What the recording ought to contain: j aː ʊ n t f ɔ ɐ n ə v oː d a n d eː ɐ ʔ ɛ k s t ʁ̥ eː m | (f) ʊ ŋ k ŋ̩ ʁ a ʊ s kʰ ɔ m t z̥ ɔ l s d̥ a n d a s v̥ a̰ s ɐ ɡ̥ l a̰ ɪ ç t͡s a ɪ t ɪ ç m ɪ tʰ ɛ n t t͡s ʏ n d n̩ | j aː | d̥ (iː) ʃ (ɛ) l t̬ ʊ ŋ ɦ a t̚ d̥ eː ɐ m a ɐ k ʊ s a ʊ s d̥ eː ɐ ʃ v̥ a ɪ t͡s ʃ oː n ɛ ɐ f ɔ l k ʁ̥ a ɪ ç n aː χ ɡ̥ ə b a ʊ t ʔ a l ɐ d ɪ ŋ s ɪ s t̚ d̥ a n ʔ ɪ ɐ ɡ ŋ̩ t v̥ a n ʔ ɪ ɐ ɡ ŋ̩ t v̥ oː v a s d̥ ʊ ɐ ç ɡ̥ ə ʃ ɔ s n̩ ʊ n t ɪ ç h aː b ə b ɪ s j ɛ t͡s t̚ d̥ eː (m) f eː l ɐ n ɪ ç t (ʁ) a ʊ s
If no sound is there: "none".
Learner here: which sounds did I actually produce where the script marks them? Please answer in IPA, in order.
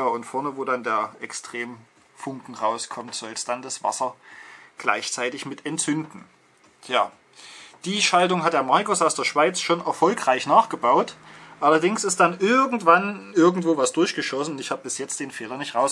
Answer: f, iː, a, n, ʁ

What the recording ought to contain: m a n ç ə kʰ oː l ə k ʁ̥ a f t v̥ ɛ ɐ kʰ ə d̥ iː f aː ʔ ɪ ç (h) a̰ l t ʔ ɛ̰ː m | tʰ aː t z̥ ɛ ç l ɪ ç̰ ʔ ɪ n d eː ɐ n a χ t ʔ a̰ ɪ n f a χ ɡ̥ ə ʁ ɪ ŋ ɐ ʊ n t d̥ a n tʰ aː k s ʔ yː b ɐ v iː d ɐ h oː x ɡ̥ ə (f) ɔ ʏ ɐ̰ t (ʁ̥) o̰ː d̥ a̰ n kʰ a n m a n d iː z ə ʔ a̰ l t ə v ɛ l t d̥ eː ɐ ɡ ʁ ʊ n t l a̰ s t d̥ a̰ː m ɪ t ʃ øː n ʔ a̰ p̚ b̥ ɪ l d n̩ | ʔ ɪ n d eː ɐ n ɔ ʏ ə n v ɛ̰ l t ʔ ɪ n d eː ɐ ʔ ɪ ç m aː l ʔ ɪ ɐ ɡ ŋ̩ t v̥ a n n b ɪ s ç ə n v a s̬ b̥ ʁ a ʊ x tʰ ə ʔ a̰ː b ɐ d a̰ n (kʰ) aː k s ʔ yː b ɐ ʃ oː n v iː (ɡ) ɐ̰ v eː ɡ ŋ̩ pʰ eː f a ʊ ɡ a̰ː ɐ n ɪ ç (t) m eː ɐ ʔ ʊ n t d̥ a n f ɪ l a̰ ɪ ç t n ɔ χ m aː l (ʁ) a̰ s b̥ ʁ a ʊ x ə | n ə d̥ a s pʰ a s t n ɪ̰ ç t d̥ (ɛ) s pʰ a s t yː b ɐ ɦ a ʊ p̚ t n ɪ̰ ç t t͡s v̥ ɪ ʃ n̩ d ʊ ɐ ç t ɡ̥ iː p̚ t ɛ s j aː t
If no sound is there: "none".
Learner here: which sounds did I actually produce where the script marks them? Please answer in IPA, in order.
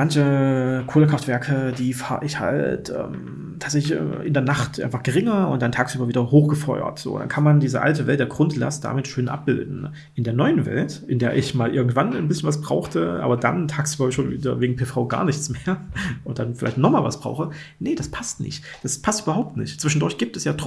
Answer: h, f, z̥, tʰ, d, t͡s, v, a

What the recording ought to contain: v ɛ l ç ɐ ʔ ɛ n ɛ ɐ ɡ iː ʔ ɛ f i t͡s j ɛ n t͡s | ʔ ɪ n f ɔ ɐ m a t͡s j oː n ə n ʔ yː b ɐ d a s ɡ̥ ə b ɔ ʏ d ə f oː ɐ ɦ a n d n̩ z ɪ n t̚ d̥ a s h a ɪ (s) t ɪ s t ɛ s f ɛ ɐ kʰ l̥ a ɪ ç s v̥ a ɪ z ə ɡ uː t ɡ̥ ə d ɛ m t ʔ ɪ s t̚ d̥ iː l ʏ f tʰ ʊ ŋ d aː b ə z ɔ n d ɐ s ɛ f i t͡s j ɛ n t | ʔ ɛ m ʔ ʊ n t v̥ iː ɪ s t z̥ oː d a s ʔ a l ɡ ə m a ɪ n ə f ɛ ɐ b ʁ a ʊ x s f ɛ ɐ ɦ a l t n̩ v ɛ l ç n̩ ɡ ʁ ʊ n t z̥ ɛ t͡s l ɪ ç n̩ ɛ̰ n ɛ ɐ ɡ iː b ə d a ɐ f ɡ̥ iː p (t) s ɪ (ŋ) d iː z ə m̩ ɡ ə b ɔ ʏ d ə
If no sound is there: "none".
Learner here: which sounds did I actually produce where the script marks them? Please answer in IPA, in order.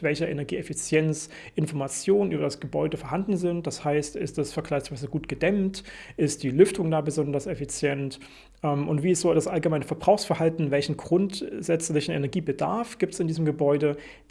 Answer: s, t, n

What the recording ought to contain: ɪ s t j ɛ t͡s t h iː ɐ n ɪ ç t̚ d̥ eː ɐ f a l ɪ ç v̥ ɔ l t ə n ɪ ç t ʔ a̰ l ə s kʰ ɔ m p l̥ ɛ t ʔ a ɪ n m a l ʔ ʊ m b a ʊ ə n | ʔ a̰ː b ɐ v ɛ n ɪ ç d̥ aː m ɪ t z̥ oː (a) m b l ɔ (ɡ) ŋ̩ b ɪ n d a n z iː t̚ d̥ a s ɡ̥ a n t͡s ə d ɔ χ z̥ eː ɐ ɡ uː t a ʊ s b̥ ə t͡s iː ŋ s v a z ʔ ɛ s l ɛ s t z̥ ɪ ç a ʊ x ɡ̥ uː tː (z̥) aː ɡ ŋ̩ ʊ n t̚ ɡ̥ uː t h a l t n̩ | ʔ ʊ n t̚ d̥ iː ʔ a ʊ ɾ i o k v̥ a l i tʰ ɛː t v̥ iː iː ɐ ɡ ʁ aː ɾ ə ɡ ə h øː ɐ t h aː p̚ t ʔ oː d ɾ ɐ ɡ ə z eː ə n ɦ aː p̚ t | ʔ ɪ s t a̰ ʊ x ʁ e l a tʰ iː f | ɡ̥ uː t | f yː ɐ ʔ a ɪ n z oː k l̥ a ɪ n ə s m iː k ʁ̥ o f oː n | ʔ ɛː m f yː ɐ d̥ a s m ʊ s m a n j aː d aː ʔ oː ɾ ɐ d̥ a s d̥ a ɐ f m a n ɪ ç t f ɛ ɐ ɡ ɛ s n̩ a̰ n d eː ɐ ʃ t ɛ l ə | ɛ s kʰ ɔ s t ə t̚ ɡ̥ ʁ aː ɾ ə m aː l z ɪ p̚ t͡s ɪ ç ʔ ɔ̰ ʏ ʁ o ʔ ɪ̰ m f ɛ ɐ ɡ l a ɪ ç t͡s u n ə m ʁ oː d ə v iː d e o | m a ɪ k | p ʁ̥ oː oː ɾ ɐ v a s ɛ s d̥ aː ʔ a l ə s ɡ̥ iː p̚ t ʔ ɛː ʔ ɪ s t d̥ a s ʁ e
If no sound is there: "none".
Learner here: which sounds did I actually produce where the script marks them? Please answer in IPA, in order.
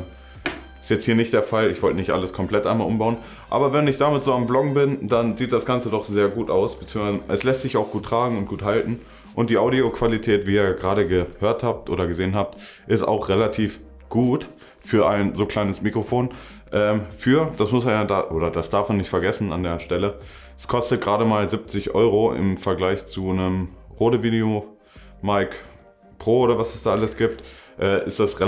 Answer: a, ɡ, ʁ̥

